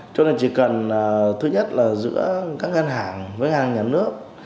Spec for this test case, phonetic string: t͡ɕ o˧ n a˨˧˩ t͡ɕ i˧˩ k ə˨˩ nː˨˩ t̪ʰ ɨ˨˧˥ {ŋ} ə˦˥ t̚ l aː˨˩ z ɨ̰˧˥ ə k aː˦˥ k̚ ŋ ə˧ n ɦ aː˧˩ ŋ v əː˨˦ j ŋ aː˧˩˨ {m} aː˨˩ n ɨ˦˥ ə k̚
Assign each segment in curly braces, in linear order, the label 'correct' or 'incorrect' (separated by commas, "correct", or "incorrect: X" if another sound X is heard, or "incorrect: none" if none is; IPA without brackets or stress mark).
incorrect: ɲ, incorrect: ɲ